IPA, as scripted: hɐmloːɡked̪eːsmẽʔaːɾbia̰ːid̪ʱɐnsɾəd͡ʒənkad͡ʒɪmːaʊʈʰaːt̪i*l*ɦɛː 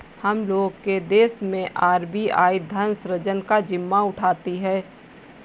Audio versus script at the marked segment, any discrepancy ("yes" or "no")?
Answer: yes